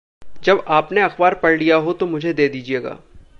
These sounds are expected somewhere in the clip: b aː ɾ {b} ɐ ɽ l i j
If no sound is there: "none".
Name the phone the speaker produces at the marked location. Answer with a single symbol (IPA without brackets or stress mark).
p